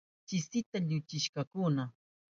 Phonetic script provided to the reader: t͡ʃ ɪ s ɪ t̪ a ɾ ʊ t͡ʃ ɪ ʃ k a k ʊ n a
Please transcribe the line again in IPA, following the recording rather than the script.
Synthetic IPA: t͡ʃ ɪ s ɪ t̪ a ʎ ʊ t͡ʃ ɪ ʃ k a k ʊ n a